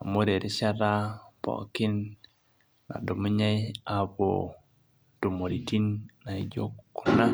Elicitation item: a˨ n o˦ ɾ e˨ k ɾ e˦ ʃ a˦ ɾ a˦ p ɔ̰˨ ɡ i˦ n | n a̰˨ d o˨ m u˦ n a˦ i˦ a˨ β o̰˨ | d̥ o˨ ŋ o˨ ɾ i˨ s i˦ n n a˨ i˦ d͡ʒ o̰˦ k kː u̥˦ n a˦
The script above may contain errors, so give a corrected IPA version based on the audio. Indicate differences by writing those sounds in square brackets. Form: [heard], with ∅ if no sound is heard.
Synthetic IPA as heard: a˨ [m] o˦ ɾ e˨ [∅] ɾ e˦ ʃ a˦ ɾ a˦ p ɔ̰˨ [k] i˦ n | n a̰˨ d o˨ m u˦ [ɲ] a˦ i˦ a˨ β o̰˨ | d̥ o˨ [m] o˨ ɾ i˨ [t] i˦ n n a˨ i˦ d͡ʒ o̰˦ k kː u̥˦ n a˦